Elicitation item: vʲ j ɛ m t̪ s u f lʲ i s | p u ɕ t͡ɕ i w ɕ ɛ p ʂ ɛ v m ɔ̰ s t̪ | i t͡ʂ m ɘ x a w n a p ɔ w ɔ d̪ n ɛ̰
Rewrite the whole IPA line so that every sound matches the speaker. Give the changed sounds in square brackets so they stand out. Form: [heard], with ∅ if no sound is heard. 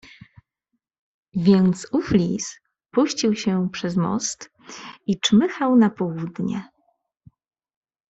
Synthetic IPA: vʲ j ɛ [n] t̪ s u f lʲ i s | p u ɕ t͡ɕ i w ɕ ɛ p ʂ ɛ [z] m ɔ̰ s t̪ | i t͡ʂ m ɘ x a w n a p ɔ w [u] d̪ [ɲ] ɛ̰